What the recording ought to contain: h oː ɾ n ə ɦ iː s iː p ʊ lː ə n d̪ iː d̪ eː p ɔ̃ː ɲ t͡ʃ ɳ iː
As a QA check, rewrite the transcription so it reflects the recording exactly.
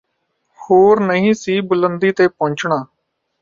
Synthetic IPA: h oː ɾ n ə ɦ ĩː s iː b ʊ l ə n d̪ iː t̪ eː p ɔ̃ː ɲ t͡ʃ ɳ aː